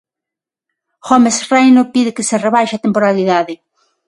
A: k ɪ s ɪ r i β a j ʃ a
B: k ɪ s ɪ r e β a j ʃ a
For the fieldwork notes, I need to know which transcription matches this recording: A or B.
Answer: B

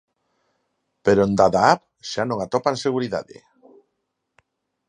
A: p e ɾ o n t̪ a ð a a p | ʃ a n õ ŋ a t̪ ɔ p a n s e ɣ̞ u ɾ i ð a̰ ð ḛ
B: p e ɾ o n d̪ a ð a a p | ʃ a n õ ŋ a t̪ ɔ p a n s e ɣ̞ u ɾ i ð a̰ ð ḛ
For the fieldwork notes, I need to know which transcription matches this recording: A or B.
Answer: B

